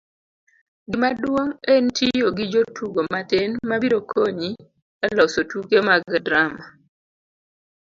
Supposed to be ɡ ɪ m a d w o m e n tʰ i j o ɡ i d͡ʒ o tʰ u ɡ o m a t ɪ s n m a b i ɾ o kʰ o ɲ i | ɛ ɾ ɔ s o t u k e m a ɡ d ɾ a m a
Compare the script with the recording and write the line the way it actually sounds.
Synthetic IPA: ɡ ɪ m a d w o ŋ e n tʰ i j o ɡ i d͡ʒ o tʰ u ɡ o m a t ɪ n m a b i ɾ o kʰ o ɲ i | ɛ l ɔ s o t u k e m a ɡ d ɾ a m a